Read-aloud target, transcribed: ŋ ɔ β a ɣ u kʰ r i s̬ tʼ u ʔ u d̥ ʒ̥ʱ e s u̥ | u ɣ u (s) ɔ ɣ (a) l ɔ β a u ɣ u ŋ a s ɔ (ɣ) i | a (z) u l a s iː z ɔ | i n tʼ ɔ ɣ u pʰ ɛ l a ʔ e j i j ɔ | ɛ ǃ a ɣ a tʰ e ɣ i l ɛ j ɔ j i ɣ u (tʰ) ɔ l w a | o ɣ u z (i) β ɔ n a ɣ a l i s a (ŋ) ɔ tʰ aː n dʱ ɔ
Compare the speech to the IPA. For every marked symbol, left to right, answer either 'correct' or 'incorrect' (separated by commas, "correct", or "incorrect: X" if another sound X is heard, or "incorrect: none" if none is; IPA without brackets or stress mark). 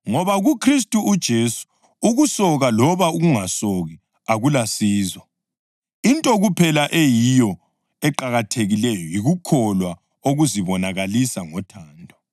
correct, correct, correct, incorrect: ɣ, incorrect: kʰ, correct, correct